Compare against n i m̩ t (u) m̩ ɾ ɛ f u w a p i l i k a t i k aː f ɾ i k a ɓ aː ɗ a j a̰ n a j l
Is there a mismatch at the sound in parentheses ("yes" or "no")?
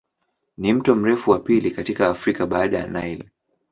yes